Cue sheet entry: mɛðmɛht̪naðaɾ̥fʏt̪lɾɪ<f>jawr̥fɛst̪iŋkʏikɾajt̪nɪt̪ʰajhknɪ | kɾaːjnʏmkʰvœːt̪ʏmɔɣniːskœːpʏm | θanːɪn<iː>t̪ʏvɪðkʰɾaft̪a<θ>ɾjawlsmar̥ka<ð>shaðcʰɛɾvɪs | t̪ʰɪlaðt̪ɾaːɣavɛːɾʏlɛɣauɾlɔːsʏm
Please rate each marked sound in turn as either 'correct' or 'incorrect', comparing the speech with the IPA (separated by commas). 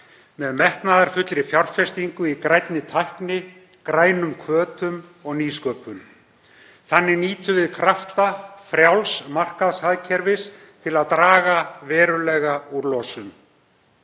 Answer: correct, correct, incorrect, correct